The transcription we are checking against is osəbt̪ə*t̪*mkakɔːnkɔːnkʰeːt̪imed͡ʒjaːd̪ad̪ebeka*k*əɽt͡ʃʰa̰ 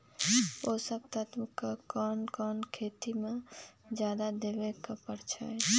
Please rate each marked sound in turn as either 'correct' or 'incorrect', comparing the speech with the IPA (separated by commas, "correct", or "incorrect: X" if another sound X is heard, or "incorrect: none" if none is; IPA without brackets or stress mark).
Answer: correct, incorrect: p